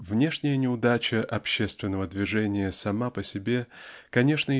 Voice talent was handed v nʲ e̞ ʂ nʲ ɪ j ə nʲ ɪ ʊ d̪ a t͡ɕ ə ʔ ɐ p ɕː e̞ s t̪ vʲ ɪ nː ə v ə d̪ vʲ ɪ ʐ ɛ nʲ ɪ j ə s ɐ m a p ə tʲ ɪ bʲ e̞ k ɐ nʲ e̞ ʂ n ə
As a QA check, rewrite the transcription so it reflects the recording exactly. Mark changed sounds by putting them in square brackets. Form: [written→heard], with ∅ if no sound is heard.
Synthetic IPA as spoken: v nʲ e̞ ʂ nʲ ɪ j ə nʲ ɪ ʊ d̪ a t͡ɕ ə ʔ ɐ p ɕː e̞ s t̪ vʲ ɪ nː ə v ə d̪ vʲ ɪ ʐ ɛ nʲ ɪ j ə s ɐ m a p ə [tʲ→sʲ] ɪ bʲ e̞ k ɐ nʲ e̞ ʂ n ə